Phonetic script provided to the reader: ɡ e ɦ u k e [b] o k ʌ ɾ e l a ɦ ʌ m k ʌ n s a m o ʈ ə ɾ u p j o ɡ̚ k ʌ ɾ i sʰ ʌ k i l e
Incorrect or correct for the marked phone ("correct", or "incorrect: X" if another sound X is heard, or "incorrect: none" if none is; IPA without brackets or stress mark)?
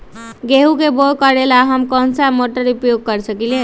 correct